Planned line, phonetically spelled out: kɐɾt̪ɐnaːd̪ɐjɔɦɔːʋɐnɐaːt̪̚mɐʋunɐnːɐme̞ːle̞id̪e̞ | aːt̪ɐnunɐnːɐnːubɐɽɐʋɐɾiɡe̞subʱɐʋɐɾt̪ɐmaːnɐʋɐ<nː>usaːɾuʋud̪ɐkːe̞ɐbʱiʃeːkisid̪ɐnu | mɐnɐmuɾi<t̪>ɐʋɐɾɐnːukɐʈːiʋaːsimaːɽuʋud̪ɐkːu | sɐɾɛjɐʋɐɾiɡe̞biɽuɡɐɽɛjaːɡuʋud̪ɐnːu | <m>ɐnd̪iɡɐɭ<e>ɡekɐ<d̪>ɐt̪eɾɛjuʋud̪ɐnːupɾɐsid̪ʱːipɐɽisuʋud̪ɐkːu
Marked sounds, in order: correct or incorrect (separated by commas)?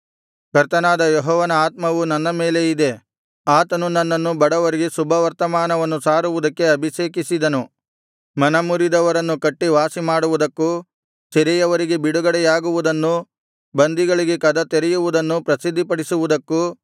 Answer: correct, incorrect, incorrect, incorrect, correct